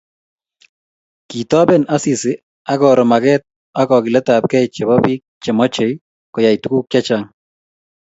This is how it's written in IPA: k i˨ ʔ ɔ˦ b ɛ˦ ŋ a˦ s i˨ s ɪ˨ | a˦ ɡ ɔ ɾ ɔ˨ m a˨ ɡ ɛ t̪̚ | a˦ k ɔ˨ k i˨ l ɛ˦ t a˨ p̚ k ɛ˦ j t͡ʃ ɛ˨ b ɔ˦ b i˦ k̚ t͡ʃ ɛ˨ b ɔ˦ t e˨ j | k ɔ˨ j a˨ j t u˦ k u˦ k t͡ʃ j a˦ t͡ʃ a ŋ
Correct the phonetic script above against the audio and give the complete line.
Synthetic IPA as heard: k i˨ t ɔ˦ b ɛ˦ n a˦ s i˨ s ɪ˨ | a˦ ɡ ɔ ɾ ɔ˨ m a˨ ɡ ɛ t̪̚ | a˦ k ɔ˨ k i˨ l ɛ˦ t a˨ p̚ k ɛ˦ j t͡ʃ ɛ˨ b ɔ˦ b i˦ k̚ t͡ʃ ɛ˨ m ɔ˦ t͡ʃ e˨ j | k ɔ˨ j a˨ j t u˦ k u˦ k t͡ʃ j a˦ t͡ʃ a ŋ